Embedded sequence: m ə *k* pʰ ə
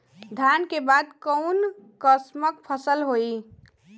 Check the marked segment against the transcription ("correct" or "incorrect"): correct